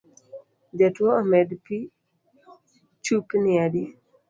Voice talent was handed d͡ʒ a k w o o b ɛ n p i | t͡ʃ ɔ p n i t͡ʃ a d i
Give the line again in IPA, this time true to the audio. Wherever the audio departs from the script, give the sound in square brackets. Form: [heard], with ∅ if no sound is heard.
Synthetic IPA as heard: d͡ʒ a [t] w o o [m] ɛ [d] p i | t͡ʃ [u] p n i [∅] a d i